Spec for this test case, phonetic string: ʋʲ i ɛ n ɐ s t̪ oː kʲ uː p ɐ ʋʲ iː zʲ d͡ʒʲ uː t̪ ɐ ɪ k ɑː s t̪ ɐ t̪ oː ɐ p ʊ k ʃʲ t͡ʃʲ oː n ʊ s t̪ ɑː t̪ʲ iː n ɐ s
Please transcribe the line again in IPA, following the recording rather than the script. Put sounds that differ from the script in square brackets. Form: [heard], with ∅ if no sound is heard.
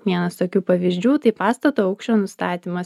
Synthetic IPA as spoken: ʋʲ i ɛ n ɐ s t̪ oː kʲ uː p ɐ ʋʲ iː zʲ d͡ʒʲ uː t̪ ɐ ɪ [p] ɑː s t̪ ɐ t̪ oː ɐ [∅] ʊ k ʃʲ t͡ʃʲ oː n ʊ s t̪ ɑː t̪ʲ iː [m] ɐ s